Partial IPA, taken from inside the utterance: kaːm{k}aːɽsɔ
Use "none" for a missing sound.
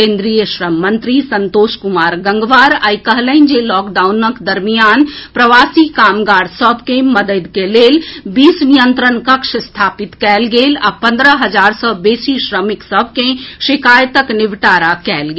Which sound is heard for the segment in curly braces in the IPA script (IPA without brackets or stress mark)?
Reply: ɡ